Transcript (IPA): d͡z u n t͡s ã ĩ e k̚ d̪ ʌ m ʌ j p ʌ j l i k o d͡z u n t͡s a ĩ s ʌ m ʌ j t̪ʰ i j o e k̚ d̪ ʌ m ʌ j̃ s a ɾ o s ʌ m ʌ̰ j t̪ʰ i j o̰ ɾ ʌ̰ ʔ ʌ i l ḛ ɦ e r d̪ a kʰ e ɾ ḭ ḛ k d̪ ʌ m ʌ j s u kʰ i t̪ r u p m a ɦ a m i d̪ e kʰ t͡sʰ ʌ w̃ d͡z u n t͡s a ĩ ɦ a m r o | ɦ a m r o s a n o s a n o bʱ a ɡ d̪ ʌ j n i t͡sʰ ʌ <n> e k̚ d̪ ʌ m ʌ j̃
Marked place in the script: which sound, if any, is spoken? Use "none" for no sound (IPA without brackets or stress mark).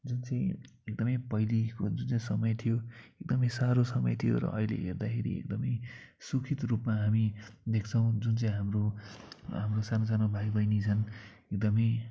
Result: n